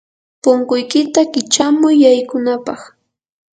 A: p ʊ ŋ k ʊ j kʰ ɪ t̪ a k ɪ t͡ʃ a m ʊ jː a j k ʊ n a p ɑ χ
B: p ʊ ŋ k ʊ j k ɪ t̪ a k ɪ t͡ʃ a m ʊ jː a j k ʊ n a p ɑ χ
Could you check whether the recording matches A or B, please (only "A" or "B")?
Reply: B